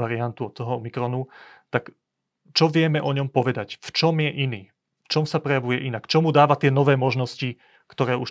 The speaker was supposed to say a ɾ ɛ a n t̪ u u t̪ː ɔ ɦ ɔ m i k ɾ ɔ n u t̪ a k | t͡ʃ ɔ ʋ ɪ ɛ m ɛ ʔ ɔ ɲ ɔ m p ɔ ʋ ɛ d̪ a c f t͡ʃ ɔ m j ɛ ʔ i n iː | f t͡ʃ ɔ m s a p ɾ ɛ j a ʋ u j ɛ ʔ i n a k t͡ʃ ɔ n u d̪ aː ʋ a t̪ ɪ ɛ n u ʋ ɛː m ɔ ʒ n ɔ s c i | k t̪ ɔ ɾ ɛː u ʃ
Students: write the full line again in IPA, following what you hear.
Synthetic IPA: a ɾ i a n t̪ u ɔ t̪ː ɔ ɦ ɔ m i k ɾ ɔ n u t̪ a k | t͡ʃ ɔ ʋ ɪ ɛ m ɛ ʔ ɔ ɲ ɔ m p ɔ ʋ ɛ d̪ a c f t͡ʃ ɔ m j ɛ ʔ i n iː | f t͡ʃ ɔ m s a p ɾ ɛ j a ʋ u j ɛ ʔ i n a k t͡ʃ ɔ m u d̪ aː ʋ a t̪ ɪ ɛ n ɔ ʋ ɛː m ɔ ʒ n ɔ s c i | k t̪ ɔ ɾ ɛː u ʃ